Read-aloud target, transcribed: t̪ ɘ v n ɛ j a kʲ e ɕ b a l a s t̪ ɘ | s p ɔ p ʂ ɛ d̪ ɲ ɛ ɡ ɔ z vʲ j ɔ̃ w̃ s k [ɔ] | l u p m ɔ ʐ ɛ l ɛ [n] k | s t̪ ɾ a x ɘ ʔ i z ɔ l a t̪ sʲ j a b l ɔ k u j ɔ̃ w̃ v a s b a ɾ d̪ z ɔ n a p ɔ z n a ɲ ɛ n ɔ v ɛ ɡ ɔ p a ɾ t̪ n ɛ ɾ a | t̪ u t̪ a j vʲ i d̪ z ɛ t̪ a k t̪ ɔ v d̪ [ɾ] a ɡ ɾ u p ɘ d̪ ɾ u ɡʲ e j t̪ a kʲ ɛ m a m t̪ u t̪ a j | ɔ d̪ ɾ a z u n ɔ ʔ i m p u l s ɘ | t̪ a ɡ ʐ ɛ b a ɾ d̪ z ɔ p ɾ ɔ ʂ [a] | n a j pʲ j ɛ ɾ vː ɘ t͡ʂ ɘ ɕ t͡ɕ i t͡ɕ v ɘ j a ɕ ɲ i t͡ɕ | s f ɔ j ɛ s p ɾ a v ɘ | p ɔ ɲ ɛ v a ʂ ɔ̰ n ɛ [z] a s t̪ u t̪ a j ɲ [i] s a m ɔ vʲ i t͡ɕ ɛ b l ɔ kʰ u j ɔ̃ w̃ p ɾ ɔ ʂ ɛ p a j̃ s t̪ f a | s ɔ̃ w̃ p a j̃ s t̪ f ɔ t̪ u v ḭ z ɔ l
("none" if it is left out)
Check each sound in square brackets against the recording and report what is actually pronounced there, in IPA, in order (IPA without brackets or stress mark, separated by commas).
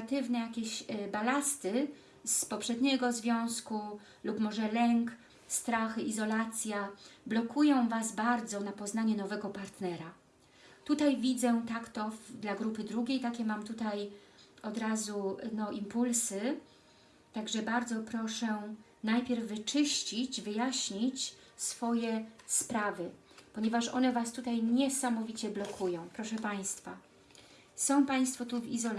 u, ŋ, l, ɛ, v, ɛ